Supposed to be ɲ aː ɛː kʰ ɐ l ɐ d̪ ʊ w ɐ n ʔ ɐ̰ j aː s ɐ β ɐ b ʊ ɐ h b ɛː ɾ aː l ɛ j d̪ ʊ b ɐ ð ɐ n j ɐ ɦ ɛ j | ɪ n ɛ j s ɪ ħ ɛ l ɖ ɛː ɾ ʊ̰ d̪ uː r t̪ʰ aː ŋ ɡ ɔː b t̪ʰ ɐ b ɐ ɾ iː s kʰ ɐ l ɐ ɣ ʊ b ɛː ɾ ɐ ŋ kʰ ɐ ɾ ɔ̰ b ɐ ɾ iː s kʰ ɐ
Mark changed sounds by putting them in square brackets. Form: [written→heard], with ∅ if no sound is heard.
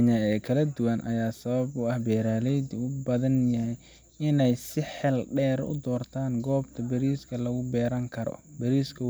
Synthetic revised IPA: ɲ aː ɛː kʰ ɐ l ɐ d̪ ʊ w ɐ n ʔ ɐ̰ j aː s ɐ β ɐ b ʊ ɐ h b ɛː ɾ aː l ɛ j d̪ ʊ b ɐ ð ɐ n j ɐ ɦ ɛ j | ɪ n ɛ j s ɪ ħ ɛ l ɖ ɛː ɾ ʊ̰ d̪ [uː→ɔː] r t̪ʰ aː ŋ ɡ ɔː b t̪ʰ ɐ b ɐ ɾ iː s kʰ ɐ l ɐ ɣ ʊ b ɛː ɾ ɐ ŋ kʰ ɐ ɾ ɔ̰ b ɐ ɾ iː s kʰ ɐ

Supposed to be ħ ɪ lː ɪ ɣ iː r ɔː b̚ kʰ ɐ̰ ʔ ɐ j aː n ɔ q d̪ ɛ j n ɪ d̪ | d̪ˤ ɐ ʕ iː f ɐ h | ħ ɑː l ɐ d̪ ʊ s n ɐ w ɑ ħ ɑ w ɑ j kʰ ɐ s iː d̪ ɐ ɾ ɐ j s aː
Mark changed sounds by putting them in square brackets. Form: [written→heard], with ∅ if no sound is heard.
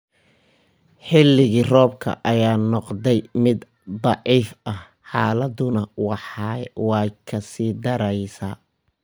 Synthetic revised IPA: ħ ɪ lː ɪ ɣ iː r ɔː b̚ kʰ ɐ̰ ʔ ɐ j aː n ɔ q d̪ ɛ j [n→m] ɪ d̪ | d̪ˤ [ɐ→ɑ] ʕ iː f ɐ h | ħ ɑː l ɐ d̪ ʊ [s→∅] n ɐ w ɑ ħ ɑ w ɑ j kʰ ɐ s iː d̪ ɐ ɾ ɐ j s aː

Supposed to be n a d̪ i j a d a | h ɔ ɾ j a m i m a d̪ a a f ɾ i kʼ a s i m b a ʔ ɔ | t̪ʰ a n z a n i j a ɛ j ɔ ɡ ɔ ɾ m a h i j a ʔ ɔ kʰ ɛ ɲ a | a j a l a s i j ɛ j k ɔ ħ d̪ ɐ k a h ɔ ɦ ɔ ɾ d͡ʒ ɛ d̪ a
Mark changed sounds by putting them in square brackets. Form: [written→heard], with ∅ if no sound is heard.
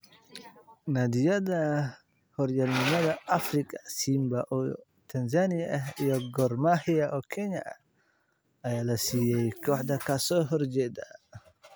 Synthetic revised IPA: n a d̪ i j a d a | h ɔ ɾ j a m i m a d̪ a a f ɾ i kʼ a s i m b a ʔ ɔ | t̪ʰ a n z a n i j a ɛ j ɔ ɡ ɔ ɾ m a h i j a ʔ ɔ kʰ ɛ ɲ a | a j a l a s i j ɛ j k ɔ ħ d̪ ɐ k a [h→s] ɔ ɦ ɔ ɾ d͡ʒ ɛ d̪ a

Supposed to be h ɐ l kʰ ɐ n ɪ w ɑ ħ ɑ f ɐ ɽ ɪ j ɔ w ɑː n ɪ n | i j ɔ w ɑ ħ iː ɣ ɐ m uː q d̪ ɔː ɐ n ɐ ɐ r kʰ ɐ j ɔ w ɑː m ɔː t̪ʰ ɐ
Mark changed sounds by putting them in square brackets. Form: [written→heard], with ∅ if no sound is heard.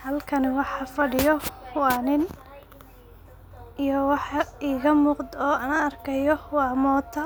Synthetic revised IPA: h ɐ l kʰ ɐ n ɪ w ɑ ħ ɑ f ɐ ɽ ɪ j ɔ w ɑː n ɪ n | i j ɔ w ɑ ħ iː ɣ ɐ m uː q d̪ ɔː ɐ n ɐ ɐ r kʰ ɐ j ɔ w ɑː m ɔː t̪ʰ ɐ

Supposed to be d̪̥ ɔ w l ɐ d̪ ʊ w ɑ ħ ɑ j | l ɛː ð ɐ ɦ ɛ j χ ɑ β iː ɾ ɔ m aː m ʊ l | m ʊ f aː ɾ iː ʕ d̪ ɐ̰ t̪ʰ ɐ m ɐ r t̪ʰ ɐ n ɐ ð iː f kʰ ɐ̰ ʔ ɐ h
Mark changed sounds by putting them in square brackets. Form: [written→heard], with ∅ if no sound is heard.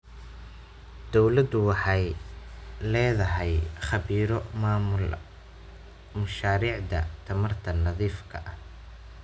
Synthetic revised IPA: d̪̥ ɔ w l ɐ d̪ ʊ w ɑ ħ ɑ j | l ɛː ð ɐ ɦ ɛ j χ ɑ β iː ɾ ɔ m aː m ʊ l | m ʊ [f→ʃ] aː ɾ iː ʕ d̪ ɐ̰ t̪ʰ ɐ m ɐ r t̪ʰ ɐ n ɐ ð iː f kʰ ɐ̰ ʔ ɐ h

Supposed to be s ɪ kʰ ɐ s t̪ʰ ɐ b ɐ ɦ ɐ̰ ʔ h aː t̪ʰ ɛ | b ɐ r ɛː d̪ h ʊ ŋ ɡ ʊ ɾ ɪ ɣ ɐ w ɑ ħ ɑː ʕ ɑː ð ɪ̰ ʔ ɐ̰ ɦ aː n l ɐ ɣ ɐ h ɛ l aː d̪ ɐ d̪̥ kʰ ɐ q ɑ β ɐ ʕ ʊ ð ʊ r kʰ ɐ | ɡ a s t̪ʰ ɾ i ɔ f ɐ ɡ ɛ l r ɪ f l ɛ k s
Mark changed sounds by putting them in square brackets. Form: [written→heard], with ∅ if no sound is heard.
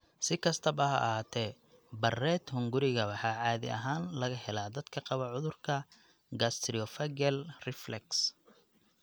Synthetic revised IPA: s ɪ kʰ ɐ s t̪ʰ ɐ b ɐ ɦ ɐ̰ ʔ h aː t̪ʰ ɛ | b ɐ r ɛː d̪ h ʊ ŋ ɡ ʊ ɾ ɪ ɣ ɐ w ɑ ħ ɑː ʕ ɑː ð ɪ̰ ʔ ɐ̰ ɦ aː n l ɐ ɣ ɐ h ɛ l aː d̪ ɐ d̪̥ kʰ ɐ q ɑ β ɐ ʕ ʊ ð ʊ r kʰ ɐ | ɡ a s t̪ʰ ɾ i ɔ f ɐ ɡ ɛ l r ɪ f l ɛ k s

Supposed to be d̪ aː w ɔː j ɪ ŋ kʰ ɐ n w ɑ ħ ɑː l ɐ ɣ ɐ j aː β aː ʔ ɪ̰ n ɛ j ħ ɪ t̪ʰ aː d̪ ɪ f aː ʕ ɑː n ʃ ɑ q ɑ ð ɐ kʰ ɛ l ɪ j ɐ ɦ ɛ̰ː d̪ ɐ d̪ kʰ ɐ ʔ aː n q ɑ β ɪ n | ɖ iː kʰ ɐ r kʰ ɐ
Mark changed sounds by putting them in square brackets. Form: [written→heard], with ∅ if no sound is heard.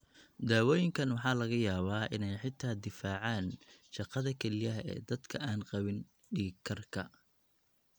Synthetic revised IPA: d̪ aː w ɔː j ɪ ŋ kʰ ɐ n w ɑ ħ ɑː l ɐ ɣ ɐ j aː β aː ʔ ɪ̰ n ɛ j ħ ɪ t̪ʰ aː d̪ ɪ f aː ʕ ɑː n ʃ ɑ q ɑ ð ɐ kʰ ɛ l ɪ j ɐ ɦ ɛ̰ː d̪ ɐ d̪ kʰ ɐ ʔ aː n q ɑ β ɪ n | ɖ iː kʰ ɐ r kʰ ɐ

